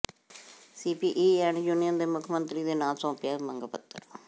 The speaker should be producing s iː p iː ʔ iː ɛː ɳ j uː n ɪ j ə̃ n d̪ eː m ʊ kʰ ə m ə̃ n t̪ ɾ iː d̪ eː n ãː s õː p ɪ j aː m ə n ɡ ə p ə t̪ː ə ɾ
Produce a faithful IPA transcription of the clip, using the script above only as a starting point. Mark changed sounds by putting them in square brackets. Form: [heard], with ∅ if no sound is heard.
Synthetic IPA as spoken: s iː p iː ʔ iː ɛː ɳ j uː n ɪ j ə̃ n d̪ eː m ʊ kʰ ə m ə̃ n t̪ ɾ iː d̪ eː n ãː s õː p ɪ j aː m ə [ŋ] ɡ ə p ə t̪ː ə ɾ